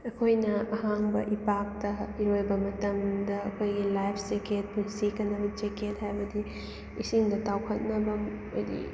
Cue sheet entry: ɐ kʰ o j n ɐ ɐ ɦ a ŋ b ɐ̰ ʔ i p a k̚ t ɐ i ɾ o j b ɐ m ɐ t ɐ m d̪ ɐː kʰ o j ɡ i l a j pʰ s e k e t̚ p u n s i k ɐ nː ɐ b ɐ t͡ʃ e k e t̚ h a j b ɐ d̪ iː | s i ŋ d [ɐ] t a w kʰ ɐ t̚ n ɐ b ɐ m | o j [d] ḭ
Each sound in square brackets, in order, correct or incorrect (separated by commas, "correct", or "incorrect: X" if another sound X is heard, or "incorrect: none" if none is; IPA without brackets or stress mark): correct, correct